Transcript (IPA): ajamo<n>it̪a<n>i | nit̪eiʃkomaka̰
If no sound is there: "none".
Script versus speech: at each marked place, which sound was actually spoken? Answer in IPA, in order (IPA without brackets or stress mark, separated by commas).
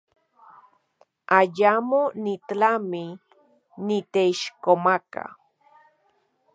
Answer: n, m